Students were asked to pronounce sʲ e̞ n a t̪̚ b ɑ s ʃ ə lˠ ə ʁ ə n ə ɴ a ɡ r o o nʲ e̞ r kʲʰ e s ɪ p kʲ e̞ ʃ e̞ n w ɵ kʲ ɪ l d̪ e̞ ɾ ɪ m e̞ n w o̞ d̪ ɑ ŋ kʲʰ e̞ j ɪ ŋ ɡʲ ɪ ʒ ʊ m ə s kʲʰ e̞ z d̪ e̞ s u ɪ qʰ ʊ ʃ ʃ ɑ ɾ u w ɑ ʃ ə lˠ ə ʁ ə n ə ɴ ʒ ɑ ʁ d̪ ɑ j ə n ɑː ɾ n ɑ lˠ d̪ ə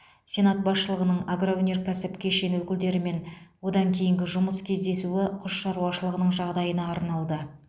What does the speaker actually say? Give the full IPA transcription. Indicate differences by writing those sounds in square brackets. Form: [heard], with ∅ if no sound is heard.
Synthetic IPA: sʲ e̞ n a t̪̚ b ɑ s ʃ ə lˠ ə ʁ ə n ə ɴ a ɡ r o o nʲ e̞ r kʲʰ [æ] s ɪ p kʲ e̞ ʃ e̞ n w ɵ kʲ ɪ l d̪ e̞ ɾ ɪ m e̞ n w o̞ d̪ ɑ ŋ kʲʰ e̞ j ɪ ŋ ɡʲ ɪ ʒ ʊ m ə s kʲʰ e̞ z d̪ e̞ s u ɪ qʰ ʊ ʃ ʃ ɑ ɾ u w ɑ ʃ ə lˠ ə ʁ ə n ə ɴ ʒ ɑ ʁ d̪ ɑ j ə n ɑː ɾ n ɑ lˠ d̪ ə

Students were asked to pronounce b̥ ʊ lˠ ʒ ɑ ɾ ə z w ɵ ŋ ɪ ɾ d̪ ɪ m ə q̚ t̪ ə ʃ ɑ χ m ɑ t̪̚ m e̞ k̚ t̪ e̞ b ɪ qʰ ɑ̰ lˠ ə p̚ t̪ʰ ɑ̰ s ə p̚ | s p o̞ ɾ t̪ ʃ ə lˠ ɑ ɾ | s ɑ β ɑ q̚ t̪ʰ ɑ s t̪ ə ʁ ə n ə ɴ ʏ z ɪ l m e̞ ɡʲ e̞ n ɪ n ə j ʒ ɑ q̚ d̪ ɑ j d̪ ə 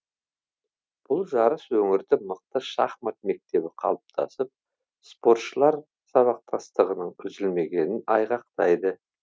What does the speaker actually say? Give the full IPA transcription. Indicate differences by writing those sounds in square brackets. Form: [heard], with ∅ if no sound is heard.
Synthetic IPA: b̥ ʊ lˠ ʒ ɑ ɾ ə [s] w ɵ ŋ ɪ ɾ d̪ ɪ m ə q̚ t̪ ə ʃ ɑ χ m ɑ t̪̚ m e̞ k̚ t̪ e̞ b ɪ qʰ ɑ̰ lˠ ə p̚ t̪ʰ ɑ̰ s ə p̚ | s p o̞ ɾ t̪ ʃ ə lˠ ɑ ɾ | s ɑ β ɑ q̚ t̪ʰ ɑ s t̪ ə ʁ ə n ə ɴ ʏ z ɪ l m e̞ ɡʲ e̞ n ɪ n [ɑ] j [ʁ] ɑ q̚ [t̪] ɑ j d̪ ə

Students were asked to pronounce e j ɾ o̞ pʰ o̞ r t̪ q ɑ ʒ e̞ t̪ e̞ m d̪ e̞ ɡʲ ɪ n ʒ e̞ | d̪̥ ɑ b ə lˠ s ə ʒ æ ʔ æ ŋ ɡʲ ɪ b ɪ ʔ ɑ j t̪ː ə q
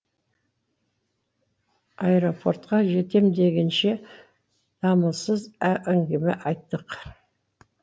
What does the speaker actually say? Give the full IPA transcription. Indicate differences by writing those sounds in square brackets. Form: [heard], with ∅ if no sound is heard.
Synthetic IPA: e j ɾ o̞ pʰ o̞ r t̪ q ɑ ʒ e̞ t̪ e̞ m d̪ e̞ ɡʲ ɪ n [ʃ] e̞ | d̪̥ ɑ [m] ə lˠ s ə [z] æ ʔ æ ŋ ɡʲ ɪ [m] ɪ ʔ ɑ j t̪ː ə q

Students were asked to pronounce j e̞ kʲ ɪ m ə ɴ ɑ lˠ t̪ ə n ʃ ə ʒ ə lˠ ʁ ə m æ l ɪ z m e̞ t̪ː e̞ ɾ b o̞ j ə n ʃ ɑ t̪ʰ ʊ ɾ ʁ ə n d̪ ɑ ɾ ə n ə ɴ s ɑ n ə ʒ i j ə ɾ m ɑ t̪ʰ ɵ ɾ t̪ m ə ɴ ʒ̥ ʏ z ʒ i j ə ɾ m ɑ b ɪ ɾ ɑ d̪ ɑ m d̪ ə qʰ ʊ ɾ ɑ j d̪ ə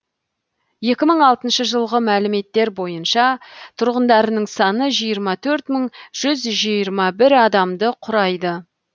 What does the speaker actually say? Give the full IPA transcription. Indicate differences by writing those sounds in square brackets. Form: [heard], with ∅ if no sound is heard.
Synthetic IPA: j e̞ kʲ ɪ m ə ɴ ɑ lˠ t̪ ə n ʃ ə ʒ ə lˠ ʁ ə m æ l ɪ [∅] m e̞ t̪ː e̞ ɾ b o̞ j ə n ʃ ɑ t̪ʰ ʊ ɾ ʁ ə n d̪ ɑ ɾ ə n ə ɴ s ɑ n ə ʒ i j ə ɾ m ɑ t̪ʰ ɵ ɾ t̪ m ə ɴ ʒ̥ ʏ z ʒ i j ə ɾ m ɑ b ɪ ɾ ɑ d̪ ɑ m d̪ ə qʰ ʊ ɾ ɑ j d̪ ə

